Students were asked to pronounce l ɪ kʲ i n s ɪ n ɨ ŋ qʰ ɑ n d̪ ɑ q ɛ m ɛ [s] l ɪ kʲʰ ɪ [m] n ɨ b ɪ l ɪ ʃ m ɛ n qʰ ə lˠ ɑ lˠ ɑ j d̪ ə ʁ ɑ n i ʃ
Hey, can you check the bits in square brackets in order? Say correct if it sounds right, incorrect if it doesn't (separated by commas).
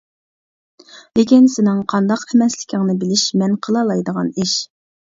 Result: correct, incorrect